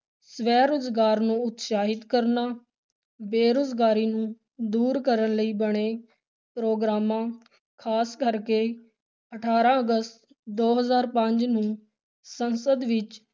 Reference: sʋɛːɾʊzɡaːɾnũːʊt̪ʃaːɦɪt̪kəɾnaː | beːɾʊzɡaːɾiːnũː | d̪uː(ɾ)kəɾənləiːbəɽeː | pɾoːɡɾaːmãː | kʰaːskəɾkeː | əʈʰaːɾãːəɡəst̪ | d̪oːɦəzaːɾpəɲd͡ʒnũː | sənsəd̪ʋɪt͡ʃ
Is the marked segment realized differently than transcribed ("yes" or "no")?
no